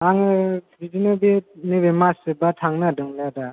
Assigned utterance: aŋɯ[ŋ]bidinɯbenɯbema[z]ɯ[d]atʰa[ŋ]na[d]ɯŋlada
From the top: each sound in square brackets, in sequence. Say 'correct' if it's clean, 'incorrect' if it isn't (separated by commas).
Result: incorrect, incorrect, incorrect, correct, correct